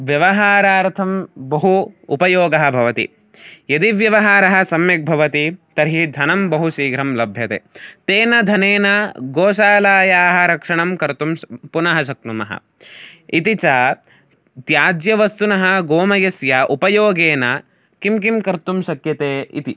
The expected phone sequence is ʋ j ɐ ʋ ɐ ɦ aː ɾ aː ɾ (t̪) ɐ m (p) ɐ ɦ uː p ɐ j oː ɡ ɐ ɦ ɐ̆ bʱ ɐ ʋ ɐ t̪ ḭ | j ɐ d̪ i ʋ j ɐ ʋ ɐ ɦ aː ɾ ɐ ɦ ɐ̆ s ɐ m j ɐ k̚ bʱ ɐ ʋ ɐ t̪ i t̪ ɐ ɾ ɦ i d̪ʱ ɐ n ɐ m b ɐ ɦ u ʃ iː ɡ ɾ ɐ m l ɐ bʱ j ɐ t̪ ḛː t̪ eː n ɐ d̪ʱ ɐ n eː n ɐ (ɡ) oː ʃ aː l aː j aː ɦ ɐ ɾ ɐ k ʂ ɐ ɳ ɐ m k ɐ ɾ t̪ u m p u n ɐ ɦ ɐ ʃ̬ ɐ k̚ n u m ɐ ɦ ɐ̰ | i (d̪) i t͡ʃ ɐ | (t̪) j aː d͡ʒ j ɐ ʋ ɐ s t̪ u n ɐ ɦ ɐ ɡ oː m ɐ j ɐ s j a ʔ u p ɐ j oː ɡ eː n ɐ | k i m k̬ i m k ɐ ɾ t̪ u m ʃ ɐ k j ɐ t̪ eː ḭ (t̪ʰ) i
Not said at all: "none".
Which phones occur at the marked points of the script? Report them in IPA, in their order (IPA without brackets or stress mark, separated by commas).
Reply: t̪ʰ, b, ɡ, t̪, t̪, t̪